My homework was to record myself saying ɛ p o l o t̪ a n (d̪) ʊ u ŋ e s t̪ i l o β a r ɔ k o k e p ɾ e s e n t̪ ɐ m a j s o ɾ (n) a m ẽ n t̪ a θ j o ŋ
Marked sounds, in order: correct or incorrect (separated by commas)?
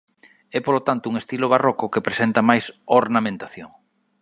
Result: incorrect, correct